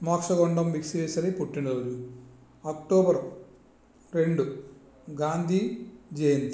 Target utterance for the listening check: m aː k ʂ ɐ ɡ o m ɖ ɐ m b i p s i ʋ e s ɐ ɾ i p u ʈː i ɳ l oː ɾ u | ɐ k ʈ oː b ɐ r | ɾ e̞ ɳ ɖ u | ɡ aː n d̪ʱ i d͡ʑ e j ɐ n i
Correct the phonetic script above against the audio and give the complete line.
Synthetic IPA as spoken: m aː k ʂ ɐ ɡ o ɳ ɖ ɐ m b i k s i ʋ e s ɐ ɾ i p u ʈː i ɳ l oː ɾ u | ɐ k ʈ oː b ɐ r | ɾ e̞ ɳ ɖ u | ɡ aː n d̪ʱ i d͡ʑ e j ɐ n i